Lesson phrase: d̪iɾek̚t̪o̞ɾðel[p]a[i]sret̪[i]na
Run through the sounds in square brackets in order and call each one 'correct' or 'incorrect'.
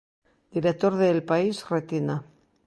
correct, correct, correct

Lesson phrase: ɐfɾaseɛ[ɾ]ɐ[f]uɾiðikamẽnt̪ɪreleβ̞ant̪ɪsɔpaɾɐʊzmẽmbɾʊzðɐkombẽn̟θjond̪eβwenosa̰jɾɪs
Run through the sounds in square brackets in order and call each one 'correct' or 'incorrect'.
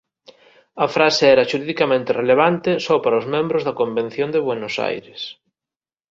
correct, incorrect: ʃ

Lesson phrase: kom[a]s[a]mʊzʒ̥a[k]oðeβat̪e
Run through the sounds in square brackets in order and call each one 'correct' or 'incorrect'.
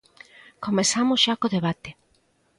incorrect: e, correct, correct

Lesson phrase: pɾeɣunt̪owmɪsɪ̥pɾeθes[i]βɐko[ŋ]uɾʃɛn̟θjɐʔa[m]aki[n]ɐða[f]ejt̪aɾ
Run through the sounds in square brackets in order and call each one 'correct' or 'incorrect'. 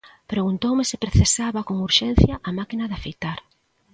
incorrect: a, correct, correct, correct, correct

